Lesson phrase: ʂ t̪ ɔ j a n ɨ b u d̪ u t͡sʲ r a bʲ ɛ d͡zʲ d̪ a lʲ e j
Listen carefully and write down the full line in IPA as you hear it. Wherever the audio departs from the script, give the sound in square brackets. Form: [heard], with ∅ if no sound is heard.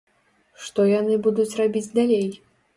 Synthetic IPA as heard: ʂ t̪ ɔ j a n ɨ b u d̪ u t͡sʲ r a bʲ [i] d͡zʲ d̪ a lʲ e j